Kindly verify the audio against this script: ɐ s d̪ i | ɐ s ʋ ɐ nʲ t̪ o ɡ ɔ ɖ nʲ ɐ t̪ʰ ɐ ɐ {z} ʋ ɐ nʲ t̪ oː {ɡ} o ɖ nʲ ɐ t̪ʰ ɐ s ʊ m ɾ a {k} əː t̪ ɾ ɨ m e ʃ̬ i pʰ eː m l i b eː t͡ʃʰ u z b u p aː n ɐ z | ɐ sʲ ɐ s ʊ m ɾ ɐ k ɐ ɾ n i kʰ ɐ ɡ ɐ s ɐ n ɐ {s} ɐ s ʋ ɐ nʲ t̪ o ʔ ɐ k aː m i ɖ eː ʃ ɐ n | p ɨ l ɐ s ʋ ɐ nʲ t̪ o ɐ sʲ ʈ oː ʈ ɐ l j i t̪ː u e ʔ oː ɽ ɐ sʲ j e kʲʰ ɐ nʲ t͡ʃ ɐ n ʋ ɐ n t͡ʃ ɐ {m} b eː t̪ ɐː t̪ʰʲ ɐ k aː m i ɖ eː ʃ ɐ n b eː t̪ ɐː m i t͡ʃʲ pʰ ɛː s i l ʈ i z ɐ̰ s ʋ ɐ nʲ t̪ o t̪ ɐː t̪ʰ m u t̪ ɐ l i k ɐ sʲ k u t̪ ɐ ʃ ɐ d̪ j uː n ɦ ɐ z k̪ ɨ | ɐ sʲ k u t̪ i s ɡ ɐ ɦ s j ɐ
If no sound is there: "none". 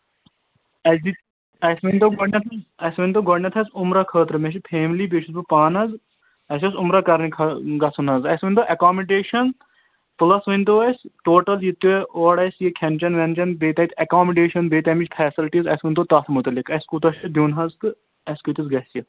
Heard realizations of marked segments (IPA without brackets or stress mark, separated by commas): s, ɡ, kʰ, z, n